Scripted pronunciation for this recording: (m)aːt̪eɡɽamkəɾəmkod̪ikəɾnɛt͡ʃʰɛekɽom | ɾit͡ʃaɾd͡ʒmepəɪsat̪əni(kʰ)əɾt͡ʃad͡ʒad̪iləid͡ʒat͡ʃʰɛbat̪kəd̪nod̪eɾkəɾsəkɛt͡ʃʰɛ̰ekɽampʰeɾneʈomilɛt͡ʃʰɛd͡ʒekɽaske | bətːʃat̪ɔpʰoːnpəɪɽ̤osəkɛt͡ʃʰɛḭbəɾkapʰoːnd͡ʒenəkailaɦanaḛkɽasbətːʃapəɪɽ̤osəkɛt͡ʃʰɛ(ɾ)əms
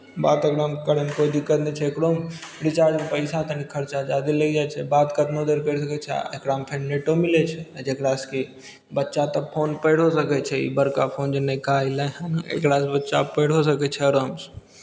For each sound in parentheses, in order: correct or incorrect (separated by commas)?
incorrect, correct, correct